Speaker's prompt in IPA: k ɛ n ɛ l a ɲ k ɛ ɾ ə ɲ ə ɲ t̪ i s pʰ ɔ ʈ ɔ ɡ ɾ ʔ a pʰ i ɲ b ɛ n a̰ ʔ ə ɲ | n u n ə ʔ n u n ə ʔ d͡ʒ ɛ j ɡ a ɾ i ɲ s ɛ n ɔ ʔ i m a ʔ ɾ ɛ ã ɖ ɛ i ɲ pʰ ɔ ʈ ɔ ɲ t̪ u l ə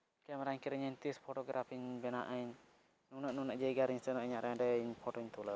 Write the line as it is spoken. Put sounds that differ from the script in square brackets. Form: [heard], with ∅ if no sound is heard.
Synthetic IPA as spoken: k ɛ [m] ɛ [ɾ] a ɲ k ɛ ɾ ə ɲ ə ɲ t̪ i s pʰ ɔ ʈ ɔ ɡ ɾ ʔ a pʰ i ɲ b ɛ n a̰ ʔ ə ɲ | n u n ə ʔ n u n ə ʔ d͡ʒ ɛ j ɡ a ɾ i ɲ s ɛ n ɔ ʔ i [ɲ] a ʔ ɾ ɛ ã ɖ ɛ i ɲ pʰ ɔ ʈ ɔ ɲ t̪ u l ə